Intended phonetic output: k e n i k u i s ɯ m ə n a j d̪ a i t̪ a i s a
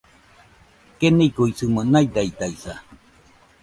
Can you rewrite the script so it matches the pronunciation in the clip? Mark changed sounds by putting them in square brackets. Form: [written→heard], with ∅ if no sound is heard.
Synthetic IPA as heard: k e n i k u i s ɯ m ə n a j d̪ a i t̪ a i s a